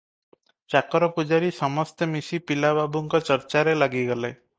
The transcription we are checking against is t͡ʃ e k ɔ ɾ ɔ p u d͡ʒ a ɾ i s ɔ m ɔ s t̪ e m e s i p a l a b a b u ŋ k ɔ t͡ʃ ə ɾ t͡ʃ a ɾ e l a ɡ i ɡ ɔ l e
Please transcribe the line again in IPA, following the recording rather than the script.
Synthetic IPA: t͡ʃ a k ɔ ɾ ɔ p u d͡ʒ a ɾ i s ɔ m ɔ s t̪ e m i s i p i l a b a b u ŋ k ɔ t͡ʃ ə ɾ t͡ʃ a ɾ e l a ɡ i ɡ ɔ l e